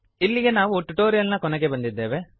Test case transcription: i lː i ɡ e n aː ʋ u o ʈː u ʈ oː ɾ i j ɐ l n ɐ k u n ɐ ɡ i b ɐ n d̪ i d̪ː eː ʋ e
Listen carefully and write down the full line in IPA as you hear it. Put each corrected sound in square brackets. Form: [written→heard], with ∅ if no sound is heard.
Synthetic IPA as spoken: i lː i ɡ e n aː ʋ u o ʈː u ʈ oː ɾ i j ɐ l n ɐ k [u→ɔ] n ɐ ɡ [i→e] b ɐ n d̪ i d̪ː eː ʋ e